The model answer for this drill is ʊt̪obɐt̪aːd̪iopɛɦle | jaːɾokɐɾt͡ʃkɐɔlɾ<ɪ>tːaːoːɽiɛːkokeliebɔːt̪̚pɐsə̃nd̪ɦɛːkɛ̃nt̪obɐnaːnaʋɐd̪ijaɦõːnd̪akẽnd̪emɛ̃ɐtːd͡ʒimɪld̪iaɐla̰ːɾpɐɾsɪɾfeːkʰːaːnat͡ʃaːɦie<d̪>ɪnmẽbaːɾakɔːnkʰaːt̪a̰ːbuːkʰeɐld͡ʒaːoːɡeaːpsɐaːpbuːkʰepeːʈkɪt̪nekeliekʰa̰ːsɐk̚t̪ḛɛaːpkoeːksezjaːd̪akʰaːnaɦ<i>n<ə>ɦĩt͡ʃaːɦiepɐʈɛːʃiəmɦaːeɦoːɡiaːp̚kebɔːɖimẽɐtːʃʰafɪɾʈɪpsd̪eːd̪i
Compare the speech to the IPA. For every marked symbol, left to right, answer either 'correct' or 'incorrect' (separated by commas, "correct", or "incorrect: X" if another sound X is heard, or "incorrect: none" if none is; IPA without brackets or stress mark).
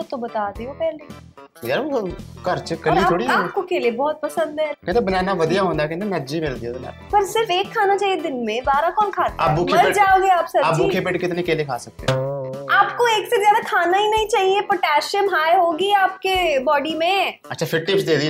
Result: incorrect: i, correct, correct, incorrect: ɐ